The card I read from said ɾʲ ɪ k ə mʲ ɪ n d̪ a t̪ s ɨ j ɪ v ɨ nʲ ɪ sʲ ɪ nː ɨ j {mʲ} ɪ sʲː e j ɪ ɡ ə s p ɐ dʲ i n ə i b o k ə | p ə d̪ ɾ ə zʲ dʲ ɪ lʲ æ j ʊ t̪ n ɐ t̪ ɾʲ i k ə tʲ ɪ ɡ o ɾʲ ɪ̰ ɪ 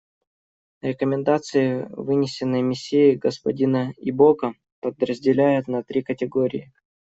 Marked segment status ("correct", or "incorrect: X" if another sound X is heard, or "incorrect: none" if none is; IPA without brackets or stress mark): correct